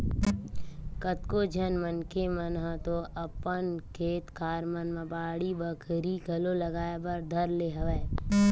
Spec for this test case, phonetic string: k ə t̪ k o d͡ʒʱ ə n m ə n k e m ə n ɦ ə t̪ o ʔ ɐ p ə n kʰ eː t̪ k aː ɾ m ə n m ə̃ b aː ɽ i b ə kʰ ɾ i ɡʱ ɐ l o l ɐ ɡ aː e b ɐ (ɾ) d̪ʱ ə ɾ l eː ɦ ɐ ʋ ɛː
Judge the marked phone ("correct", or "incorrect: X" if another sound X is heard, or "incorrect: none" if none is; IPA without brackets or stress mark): correct